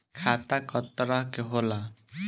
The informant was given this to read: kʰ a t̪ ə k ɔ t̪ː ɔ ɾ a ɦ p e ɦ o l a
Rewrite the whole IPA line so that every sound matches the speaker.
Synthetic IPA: kʰ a t̪ a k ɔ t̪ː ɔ ɾ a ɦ k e ɦ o l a